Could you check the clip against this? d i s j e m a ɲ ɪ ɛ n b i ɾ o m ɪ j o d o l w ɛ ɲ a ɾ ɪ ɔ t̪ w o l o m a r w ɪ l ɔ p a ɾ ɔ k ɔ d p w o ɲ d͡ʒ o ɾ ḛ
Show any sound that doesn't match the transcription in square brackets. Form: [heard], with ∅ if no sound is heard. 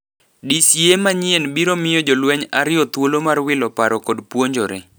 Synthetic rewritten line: d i s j e m a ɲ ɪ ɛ n b i ɾ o m ɪ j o [d͡ʒ] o l w ɛ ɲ a ɾ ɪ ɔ t̪ w o l o m a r w ɪ l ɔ p a ɾ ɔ k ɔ d p w o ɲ d͡ʒ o ɾ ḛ